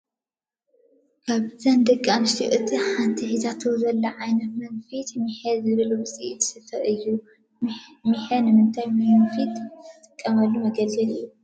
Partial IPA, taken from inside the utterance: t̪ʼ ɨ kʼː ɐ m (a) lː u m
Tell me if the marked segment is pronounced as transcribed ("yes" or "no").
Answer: no